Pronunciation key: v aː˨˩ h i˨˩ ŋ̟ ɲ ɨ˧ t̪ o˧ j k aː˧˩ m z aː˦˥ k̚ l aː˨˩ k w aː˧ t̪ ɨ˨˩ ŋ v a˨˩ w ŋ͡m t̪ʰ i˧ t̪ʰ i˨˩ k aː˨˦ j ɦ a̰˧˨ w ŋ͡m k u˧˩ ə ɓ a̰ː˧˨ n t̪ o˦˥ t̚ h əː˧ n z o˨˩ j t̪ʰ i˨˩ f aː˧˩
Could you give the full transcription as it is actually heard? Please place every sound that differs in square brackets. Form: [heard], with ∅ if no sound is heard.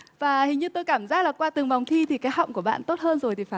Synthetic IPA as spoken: v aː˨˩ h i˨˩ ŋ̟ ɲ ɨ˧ t̪ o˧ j k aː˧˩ m z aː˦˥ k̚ l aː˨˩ k w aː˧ t̪ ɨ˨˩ ŋ v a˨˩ w ŋ͡m t̪ʰ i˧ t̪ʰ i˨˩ k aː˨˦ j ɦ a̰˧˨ w ŋ͡m k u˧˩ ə ɓ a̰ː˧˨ n t̪ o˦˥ t̚ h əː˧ n z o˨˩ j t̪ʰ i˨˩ f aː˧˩